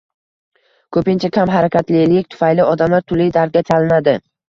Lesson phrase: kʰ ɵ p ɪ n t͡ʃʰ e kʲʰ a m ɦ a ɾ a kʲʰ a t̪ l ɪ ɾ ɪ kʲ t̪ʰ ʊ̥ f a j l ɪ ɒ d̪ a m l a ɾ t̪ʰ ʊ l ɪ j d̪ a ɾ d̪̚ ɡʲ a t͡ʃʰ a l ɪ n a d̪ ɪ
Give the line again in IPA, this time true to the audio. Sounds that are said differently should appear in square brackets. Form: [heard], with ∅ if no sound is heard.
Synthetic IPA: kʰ ɵ p ɪ n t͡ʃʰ [a] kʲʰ a m ɦ a ɾ a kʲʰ a t̪ l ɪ [l] ɪ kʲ t̪ʰ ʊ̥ f a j l ɪ ɒ d̪ a m l a ɾ t̪ʰ ʊ l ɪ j d̪ a ɾ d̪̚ ɡʲ a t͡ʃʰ a l ɪ n a d̪ ɪ